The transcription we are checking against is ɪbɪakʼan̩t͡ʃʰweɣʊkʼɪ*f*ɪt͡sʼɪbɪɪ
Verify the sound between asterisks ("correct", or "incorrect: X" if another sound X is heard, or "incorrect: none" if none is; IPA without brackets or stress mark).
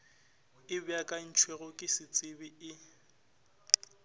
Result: incorrect: s